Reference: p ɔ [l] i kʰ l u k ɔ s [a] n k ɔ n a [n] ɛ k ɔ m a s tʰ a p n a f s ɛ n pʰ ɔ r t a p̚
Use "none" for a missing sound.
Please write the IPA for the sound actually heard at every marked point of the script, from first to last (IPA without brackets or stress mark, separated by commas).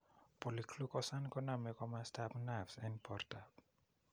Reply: l, a, m